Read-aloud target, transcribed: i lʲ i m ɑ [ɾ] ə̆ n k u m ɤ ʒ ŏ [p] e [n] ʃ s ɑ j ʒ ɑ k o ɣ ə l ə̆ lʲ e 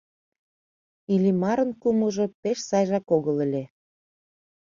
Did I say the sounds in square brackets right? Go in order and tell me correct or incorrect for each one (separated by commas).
correct, correct, incorrect